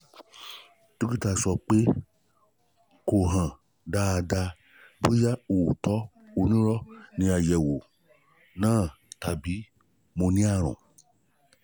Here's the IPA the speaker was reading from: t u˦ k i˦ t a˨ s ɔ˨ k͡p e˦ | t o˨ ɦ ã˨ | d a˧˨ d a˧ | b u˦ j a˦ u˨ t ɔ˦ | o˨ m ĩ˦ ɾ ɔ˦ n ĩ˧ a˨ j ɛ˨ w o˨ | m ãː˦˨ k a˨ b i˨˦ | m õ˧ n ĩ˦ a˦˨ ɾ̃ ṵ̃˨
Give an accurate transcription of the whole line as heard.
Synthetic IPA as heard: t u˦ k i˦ t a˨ s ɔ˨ k͡p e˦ | k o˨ ɦ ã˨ | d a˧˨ d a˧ | b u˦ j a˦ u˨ t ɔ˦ | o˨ n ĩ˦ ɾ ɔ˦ n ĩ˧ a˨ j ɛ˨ w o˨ | n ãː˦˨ t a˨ b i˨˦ | m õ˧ n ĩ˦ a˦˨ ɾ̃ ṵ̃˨